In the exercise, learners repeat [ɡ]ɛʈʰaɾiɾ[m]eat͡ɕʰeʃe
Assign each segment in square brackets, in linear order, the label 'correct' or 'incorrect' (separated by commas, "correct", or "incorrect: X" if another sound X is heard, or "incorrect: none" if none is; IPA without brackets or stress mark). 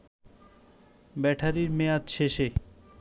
incorrect: b, correct